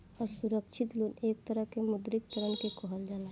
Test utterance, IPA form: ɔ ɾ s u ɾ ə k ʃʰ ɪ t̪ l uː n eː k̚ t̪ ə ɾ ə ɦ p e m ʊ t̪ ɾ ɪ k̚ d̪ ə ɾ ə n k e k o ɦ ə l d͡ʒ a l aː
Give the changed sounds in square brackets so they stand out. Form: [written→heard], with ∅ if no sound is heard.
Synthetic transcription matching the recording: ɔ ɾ s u ɾ ə k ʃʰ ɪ t̪ l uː n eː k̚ t̪ ə ɾ ə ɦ [p→k] e m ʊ [t̪→d̪] ɾ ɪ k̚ [d̪→t̪] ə ɾ ə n k e k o ɦ ə l d͡ʒ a l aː